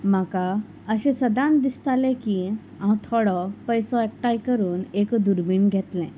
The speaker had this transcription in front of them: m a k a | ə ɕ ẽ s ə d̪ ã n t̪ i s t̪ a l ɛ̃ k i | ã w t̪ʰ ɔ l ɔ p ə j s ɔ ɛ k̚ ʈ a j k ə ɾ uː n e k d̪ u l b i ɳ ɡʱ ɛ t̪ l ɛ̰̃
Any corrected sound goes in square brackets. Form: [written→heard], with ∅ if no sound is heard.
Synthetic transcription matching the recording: m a k a | ə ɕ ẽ s ə d̪ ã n [t̪→d̪] i s t̪ a l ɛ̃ k i | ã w t̪ʰ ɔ [l→ɽ] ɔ p ə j s ɔ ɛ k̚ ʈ a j k ə ɾ uː n e k d̪ u [l→ɾ] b i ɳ ɡʱ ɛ t̪ l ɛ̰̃